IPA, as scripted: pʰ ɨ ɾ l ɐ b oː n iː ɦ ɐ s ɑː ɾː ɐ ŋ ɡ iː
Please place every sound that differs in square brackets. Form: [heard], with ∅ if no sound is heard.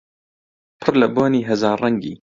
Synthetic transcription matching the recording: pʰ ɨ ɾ l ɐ b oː n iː ɦ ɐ [z] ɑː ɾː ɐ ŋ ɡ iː

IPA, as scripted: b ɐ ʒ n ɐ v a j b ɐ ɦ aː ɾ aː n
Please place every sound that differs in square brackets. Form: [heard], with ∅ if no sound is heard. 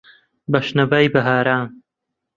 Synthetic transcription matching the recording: b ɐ [ʃ] n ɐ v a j b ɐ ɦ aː ɾ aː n

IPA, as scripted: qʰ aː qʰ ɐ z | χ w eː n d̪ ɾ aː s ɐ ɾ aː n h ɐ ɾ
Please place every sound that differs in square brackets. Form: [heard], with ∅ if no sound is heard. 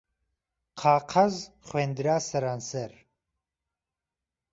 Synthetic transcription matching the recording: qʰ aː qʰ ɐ z | χ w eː n d̪ ɾ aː s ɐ ɾ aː n [s] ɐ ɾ

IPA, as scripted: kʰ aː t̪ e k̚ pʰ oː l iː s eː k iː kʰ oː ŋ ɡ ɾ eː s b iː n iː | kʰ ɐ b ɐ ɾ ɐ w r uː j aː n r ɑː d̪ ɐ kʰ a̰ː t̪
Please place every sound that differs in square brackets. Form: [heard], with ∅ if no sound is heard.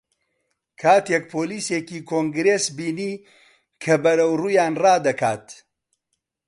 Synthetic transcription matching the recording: kʰ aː t̪ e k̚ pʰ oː l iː s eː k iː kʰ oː ŋ ɡ ɾ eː s b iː n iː | kʰ ɐ b ɐ ɾ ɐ w r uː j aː n r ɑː d̪ ɐ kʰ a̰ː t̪

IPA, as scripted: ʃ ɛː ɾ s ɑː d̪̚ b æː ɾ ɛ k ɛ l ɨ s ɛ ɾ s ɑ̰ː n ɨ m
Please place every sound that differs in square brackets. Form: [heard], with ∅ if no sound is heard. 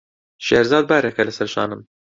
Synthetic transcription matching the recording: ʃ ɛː ɾ [z] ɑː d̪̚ b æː ɾ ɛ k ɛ l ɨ s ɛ ɾ [ʃ] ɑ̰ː n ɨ m

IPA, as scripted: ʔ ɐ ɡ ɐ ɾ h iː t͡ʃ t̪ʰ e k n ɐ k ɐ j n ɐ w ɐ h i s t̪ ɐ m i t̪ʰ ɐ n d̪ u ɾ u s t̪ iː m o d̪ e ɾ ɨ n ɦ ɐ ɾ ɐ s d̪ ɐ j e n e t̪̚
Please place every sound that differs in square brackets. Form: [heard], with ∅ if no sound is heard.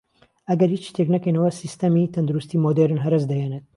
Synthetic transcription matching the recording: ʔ ɐ ɡ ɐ ɾ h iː t͡ʃ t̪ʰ e k n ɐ k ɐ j n ɐ w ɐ [s] i s t̪ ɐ m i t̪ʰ ɐ n d̪ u ɾ u s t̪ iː m o d̪ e ɾ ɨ n ɦ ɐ ɾ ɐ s d̪ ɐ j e n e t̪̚

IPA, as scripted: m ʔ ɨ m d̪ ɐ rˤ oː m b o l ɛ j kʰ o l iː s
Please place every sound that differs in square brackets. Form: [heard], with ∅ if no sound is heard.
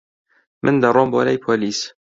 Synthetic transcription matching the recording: m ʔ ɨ [n] d̪ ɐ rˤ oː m b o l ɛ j [pʰ] o l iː s

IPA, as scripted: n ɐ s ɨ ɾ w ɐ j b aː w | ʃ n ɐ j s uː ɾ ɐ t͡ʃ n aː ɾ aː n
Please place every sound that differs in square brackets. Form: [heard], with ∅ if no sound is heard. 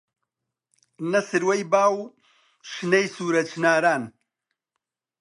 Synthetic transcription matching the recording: n ɐ s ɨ ɾ w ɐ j b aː w | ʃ n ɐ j s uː ɾ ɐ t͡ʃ n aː ɾ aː n

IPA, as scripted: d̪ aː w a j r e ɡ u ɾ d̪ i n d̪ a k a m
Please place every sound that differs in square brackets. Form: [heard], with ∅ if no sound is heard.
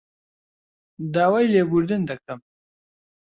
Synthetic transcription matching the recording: d̪ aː w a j [l] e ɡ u ɾ d̪ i n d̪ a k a m

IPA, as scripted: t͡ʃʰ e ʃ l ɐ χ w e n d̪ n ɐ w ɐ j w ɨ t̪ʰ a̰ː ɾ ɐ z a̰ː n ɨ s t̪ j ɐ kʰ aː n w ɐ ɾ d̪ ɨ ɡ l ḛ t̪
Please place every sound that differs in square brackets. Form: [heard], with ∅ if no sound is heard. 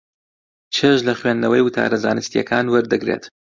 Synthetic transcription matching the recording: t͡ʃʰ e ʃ l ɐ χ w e n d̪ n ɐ w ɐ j w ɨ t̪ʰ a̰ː ɾ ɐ z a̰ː n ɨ s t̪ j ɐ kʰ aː n w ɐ ɾ d̪ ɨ ɡ [ɾ] ḛ t̪

